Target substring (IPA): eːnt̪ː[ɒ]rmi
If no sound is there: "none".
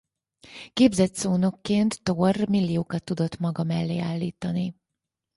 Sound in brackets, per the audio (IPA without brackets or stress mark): o